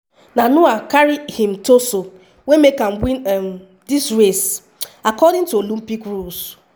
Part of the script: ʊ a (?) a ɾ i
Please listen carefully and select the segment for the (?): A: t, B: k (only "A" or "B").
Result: B